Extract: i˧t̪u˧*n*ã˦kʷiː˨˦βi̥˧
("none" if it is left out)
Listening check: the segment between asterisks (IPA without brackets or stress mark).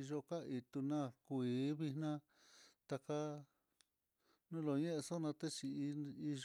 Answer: n